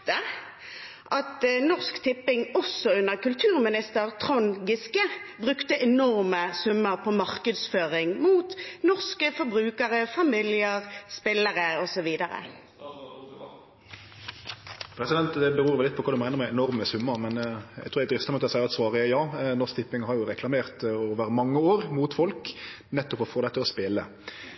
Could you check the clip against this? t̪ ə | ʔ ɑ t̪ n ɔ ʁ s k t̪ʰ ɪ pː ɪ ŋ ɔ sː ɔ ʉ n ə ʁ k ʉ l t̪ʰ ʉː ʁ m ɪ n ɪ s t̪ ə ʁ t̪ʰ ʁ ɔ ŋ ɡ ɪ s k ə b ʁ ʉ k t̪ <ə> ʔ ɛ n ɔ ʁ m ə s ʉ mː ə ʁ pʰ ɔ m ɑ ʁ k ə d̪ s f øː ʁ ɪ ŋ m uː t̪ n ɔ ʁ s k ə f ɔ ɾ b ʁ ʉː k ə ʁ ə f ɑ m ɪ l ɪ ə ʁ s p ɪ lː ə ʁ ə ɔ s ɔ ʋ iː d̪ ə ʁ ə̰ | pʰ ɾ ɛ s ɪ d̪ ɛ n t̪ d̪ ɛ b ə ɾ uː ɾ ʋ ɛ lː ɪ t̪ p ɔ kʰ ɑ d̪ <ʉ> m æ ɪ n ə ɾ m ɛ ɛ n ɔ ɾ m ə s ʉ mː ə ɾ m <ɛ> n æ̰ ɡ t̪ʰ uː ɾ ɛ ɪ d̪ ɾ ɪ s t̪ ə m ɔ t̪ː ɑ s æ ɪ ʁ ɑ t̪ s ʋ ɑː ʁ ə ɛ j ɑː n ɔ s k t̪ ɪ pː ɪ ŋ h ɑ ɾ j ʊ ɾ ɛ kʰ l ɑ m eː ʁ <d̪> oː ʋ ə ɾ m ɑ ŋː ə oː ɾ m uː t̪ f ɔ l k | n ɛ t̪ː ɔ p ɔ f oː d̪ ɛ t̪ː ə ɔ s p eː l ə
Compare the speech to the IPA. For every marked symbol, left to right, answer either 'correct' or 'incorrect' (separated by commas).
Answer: correct, correct, correct, incorrect